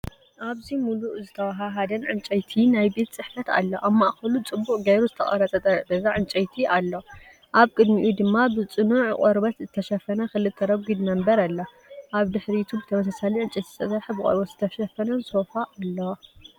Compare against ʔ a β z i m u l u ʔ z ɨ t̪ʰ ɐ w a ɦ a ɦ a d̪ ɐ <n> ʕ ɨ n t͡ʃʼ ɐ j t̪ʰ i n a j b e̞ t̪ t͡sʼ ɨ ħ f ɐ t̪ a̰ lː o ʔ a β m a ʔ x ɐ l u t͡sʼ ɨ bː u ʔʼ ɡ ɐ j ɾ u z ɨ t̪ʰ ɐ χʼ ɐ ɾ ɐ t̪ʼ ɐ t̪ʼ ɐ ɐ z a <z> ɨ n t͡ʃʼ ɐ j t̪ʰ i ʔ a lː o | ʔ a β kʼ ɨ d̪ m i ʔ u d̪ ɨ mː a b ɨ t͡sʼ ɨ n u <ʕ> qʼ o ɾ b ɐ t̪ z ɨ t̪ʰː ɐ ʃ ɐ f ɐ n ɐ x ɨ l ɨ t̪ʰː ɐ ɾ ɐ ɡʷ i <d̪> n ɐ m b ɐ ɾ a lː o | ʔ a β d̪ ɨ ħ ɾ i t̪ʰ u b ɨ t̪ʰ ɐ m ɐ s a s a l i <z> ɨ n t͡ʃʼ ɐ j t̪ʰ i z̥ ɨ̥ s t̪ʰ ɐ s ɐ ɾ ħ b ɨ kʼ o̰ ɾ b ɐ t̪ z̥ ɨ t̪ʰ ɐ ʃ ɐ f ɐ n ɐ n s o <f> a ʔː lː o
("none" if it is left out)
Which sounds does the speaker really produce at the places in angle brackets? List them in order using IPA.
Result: n, ʕ, ʕ, d̪, ʕ, f

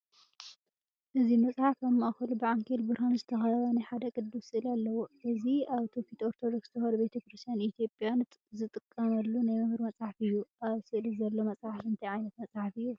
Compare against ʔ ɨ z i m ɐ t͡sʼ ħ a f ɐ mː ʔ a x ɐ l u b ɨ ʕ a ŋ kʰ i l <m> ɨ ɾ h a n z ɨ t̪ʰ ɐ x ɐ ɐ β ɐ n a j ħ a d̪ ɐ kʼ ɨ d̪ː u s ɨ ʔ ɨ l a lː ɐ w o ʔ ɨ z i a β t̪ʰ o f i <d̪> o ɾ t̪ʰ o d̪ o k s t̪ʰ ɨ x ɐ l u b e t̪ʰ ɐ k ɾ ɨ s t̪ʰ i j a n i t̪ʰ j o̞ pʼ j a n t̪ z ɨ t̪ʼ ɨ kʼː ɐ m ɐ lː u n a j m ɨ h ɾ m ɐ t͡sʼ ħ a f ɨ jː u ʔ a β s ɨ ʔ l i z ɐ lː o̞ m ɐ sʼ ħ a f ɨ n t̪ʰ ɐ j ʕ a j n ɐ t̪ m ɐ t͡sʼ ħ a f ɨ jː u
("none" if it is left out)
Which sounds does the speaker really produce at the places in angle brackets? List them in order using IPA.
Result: b, t̪

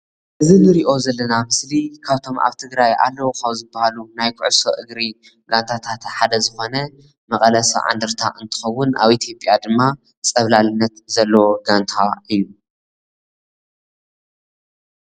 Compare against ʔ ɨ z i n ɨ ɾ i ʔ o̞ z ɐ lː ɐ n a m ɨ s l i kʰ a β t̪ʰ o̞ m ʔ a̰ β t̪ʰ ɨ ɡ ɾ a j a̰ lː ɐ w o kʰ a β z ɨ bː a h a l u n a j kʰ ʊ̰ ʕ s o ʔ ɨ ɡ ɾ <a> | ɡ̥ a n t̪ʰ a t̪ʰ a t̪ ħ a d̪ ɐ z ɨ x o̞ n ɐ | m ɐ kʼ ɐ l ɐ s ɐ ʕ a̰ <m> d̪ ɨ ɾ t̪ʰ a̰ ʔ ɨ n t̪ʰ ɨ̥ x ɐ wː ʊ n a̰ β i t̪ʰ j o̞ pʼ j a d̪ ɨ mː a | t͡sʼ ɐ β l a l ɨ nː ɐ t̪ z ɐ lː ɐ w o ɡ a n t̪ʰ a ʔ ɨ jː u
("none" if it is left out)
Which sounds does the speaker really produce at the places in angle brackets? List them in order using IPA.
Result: i, n

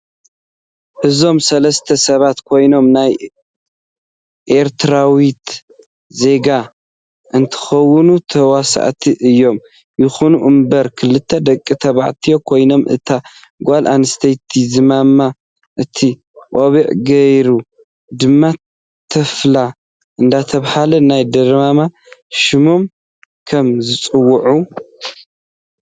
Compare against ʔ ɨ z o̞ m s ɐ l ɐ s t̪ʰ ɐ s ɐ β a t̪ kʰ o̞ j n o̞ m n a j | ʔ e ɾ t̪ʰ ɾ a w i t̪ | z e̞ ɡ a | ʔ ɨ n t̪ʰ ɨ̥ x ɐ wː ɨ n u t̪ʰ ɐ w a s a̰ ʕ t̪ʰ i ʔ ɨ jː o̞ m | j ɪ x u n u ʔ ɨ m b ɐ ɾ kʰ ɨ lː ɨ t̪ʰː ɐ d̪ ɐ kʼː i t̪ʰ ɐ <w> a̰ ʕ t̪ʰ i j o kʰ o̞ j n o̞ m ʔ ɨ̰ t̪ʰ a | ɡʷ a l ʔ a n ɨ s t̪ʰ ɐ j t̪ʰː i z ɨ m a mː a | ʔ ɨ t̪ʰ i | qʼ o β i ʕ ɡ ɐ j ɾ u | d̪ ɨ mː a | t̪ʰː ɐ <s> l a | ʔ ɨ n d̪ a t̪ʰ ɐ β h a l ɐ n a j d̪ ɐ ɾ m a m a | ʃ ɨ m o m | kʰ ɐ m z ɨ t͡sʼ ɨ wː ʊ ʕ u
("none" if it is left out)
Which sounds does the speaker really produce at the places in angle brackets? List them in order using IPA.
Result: β, f

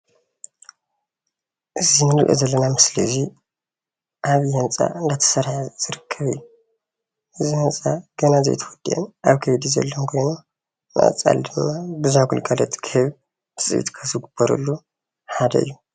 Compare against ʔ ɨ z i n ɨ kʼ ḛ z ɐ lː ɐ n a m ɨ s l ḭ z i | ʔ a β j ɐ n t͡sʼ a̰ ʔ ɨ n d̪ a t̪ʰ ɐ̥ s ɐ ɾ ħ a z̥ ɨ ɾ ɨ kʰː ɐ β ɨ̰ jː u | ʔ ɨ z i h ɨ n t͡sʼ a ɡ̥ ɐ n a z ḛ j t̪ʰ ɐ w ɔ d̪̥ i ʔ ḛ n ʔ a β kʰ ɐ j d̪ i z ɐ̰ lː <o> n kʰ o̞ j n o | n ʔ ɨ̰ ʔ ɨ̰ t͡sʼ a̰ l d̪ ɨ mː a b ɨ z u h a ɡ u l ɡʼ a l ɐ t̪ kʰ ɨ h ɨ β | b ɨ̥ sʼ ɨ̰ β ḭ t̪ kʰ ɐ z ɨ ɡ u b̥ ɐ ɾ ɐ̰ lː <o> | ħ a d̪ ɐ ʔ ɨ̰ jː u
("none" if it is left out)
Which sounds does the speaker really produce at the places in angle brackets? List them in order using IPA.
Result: o, u

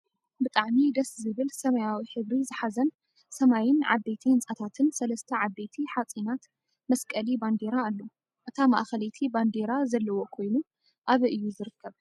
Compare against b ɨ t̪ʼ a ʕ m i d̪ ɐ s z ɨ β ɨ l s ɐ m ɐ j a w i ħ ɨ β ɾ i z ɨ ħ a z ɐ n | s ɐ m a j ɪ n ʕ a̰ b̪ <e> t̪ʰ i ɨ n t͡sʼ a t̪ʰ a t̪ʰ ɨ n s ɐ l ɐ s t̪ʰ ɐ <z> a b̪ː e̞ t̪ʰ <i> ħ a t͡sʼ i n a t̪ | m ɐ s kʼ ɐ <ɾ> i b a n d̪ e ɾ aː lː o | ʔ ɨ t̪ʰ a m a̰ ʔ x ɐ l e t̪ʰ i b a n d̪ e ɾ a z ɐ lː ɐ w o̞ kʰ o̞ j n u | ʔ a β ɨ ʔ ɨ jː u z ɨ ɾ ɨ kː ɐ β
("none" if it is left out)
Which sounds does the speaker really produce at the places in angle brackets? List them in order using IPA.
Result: e, ʕ, i, l

